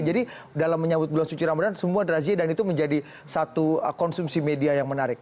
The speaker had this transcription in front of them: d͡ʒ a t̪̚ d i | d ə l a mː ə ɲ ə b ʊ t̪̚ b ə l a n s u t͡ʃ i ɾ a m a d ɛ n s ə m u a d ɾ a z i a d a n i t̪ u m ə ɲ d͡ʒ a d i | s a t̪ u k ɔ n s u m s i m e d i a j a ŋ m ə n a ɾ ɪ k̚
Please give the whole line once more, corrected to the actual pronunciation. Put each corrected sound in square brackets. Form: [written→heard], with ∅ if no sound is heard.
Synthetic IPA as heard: d͡ʒ a [t̪̚→∅] d i | d [ə→a] l a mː ə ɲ [ə→a] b ʊ t̪̚ b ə l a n s u t͡ʃ i ɾ a m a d [ɛ→a] n s ə m u a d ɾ a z i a d a n i t̪ u m ə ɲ d͡ʒ a d i | s a t̪ u k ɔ n s u m s i m e d i a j a ŋ m ə n a ɾ ɪ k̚